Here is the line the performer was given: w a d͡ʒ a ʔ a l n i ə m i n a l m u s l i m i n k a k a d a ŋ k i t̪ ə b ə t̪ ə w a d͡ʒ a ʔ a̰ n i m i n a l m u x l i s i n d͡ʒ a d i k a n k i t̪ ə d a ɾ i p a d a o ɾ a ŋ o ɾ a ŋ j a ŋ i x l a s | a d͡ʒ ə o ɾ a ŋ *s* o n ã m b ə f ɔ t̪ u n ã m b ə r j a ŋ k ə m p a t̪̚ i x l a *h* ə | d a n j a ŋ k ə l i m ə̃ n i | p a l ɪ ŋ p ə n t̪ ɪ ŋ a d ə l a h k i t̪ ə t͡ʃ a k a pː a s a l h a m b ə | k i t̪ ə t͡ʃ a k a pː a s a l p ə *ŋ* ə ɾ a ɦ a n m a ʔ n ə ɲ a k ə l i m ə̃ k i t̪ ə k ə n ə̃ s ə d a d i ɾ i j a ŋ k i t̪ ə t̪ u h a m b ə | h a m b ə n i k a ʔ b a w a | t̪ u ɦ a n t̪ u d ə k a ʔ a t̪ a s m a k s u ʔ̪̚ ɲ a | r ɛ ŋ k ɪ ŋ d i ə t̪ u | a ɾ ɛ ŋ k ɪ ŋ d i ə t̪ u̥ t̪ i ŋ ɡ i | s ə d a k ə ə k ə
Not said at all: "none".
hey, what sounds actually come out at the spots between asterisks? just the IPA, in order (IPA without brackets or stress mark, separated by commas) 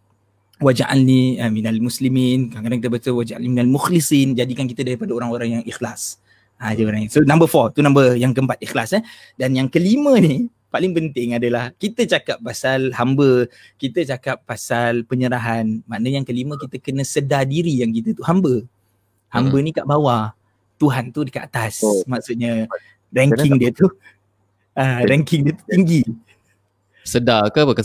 s, s, ɲ